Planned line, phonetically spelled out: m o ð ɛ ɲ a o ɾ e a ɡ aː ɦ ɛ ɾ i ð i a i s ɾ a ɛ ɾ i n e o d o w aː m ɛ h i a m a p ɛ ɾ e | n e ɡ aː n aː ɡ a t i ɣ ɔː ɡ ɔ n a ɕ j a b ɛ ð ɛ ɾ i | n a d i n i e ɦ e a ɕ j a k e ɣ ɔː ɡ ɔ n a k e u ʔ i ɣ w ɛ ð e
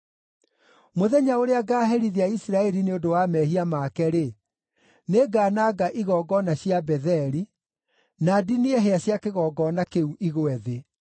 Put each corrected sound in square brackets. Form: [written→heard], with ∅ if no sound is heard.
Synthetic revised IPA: m o ð ɛ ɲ a o ɾ e a ɡ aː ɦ ɛ ɾ i ð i a i s ɾ a ɛ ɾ i n e o d o w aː m ɛ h i a m a [p→k] ɛ ɾ e | n e ɡ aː n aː ɡ a [t→ʔ] i ɣ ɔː ɡ ɔ n a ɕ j a b ɛ ð ɛ ɾ i | n a d i n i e ɦ e a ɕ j a k e ɣ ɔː ɡ ɔ n a k e u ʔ i ɣ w ɛ ð e